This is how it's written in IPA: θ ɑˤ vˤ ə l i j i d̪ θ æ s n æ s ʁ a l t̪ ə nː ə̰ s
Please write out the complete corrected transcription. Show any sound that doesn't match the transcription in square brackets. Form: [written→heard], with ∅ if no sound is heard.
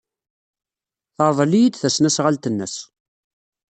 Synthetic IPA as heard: θ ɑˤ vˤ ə l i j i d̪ θ æ s n æ s ʁ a l t̪ ə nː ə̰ s